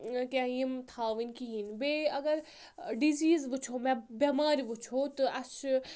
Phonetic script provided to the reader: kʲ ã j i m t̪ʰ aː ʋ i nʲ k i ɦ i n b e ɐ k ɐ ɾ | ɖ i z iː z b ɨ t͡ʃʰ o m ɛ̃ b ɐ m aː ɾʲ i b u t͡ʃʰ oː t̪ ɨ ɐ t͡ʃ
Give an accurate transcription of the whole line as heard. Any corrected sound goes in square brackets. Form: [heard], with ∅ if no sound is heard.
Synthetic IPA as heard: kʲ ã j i m t̪ʰ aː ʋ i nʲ k i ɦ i n b e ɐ [ɡ] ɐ ɾ | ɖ i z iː z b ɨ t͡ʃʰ o m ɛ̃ b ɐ m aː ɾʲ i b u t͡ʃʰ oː t̪ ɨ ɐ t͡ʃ